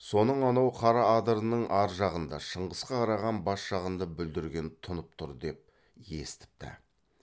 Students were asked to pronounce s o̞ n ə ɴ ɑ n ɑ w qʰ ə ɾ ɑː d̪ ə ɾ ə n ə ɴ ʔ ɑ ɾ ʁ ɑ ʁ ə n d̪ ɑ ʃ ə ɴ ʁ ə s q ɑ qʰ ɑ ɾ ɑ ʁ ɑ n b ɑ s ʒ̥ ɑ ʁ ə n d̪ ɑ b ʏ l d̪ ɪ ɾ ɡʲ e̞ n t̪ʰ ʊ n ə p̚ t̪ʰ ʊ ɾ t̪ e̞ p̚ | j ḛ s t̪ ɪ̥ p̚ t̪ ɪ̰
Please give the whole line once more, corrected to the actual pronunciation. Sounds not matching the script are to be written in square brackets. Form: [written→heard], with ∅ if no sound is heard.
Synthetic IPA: s o̞ n ə ɴ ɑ n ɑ w qʰ [ə→ɑ] ɾ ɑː d̪ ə ɾ ə n ə ɴ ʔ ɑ ɾ [ʁ→ʒ] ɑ ʁ ə n d̪ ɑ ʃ ə ɴ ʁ ə s q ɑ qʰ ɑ ɾ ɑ ʁ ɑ n b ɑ s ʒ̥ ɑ ʁ ə n d̪ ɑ b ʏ l d̪ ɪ ɾ ɡʲ e̞ n t̪ʰ ʊ n ə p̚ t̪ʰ ʊ ɾ [t̪→d̪] e̞ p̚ | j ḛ s t̪ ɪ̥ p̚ t̪ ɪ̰